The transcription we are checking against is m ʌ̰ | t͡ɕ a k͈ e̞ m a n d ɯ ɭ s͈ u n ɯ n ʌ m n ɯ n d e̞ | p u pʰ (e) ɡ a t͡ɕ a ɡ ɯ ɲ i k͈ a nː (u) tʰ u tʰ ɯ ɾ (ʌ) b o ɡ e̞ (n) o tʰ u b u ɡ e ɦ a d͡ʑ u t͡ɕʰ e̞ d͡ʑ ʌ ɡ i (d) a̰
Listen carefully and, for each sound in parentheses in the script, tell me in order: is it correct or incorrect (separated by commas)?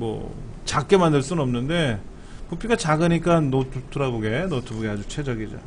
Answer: incorrect, incorrect, incorrect, correct, incorrect